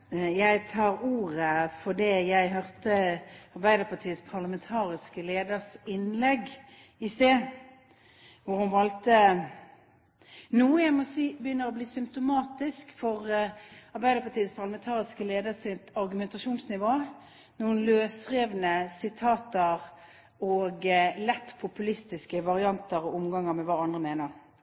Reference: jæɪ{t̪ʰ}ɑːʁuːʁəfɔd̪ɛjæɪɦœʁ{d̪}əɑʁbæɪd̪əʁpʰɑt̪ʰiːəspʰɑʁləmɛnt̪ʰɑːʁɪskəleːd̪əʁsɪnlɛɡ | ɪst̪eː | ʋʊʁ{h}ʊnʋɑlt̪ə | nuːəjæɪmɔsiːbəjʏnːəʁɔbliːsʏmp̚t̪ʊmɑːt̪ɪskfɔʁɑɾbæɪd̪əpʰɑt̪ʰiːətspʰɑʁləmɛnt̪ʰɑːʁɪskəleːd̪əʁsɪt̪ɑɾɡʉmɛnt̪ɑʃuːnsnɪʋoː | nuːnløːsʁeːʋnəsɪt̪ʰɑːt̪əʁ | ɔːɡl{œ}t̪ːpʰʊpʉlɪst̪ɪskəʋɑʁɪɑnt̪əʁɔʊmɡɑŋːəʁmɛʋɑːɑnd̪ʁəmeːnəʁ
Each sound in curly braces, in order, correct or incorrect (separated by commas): correct, incorrect, correct, incorrect